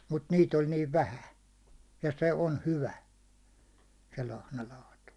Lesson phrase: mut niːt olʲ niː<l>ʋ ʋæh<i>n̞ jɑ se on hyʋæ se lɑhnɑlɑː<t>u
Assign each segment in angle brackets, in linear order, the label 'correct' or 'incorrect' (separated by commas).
incorrect, incorrect, correct